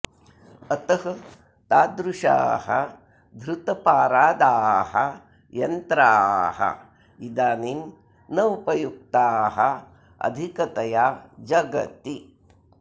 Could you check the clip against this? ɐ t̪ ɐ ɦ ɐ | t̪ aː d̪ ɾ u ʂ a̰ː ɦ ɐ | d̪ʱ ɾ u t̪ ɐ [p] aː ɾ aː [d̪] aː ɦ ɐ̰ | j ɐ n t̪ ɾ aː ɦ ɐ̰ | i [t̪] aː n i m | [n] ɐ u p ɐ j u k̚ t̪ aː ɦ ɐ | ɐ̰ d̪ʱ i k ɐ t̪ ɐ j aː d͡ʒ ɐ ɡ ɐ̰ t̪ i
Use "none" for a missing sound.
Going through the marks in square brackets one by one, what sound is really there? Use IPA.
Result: p, d̪, d̪, n

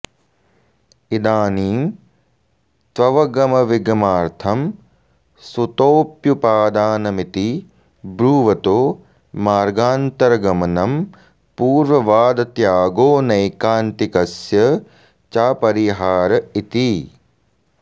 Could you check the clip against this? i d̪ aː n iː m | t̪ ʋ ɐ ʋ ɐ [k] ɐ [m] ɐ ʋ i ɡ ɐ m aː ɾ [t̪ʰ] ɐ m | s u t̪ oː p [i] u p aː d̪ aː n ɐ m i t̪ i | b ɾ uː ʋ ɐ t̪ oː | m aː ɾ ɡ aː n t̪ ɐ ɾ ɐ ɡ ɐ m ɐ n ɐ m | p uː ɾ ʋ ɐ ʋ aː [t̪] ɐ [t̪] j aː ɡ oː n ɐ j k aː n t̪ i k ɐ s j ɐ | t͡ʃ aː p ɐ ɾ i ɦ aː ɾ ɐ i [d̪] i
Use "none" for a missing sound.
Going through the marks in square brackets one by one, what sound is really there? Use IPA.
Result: ɡ, m, t̪ʰ, j, d̪, t̪, t̪

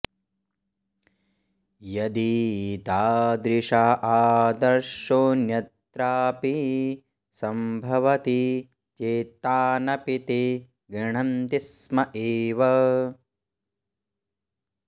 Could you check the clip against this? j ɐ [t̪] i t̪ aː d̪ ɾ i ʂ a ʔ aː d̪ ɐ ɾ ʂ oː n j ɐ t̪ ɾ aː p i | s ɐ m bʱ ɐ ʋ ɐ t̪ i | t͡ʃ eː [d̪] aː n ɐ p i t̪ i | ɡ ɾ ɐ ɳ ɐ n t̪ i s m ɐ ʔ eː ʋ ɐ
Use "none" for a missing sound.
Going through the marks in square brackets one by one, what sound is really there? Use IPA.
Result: d̪, t̪

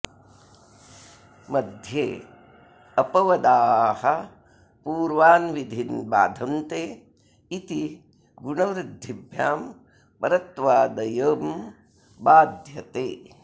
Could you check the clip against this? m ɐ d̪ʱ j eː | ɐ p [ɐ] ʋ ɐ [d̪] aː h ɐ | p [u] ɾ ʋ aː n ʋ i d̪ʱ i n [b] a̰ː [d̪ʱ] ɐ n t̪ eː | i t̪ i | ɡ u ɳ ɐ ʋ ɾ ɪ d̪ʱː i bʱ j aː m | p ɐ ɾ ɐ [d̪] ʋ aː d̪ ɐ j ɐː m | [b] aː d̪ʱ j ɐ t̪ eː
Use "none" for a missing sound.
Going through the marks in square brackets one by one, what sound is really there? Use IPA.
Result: ɐ, d̪, uː, b, d̪ʱ, t̪, b

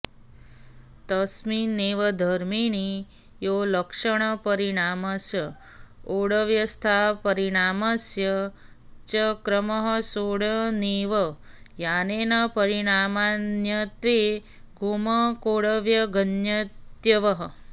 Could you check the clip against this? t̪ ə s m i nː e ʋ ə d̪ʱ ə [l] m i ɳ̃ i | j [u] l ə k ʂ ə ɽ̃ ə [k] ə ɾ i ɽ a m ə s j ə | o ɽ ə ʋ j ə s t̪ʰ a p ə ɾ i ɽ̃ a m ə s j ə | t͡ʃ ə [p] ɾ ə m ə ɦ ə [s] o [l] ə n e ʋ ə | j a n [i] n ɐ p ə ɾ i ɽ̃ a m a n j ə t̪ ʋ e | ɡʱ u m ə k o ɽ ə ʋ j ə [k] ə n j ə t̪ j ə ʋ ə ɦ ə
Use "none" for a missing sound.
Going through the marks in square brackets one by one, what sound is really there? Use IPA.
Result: ɾ, o, p, k, s, ɽ, e, ɡ

